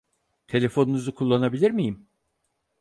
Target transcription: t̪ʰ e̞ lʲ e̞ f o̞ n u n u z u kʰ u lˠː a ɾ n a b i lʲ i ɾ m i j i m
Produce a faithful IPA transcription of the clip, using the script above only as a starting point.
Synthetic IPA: t̪ʰ e̞ lʲ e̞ f o̞ n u n u z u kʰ u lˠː a n a b i lʲ i ɾ m i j i m